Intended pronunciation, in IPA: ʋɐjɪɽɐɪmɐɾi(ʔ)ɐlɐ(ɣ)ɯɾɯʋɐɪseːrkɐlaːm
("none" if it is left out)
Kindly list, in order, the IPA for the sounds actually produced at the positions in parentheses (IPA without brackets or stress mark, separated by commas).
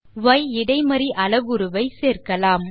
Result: ʔ, ɣ